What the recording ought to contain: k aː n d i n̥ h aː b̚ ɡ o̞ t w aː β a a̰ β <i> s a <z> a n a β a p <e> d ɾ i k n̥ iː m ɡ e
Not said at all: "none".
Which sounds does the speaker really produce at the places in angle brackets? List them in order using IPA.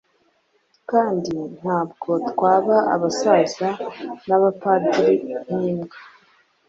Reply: a, z, a

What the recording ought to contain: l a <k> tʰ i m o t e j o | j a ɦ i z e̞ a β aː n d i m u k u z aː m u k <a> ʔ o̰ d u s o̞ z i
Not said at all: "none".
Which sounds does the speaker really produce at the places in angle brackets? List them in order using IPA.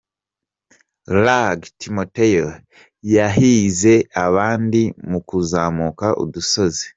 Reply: ɡ, a

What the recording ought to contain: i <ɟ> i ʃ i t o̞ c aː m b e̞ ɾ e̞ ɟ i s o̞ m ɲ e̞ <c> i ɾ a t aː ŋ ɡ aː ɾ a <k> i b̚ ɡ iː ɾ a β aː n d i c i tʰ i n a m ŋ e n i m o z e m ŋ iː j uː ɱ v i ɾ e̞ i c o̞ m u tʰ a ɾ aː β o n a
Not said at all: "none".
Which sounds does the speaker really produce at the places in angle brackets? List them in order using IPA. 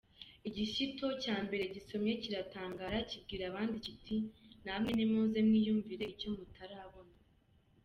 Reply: ɟ, c, c

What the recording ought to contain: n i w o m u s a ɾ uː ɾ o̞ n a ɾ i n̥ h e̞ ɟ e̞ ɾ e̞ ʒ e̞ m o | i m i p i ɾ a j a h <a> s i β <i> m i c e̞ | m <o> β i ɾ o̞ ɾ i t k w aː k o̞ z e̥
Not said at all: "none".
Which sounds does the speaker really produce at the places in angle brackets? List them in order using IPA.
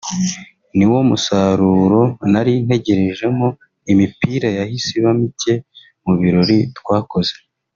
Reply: i, a, u

